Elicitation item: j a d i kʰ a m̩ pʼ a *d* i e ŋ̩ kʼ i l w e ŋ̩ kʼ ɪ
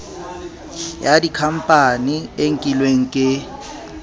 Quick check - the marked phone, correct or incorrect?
incorrect